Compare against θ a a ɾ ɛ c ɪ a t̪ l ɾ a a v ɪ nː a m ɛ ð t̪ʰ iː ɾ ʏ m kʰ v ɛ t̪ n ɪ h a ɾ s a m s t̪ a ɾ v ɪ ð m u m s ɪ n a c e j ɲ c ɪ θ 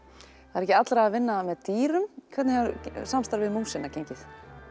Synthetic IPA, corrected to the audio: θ a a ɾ ɛ c ɪ a t̪ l ɾ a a v ɪ nː a m ɛ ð t̪ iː ɾ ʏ m kʰ v ɛ t̪ n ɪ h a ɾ s a m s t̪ a ɾ v ɪ ð m u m s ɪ n a c e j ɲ c ɪ θ